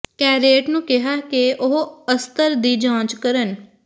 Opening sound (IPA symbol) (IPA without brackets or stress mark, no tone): k